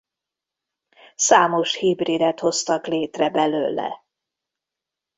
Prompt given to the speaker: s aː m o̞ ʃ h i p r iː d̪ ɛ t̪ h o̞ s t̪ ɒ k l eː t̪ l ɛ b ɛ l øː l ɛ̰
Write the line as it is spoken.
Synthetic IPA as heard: s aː m o̞ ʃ h i b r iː d̪ ɛ t̪ h o̞ s t̪ ɒ k l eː t̪ r ɛ b ɛ l øː l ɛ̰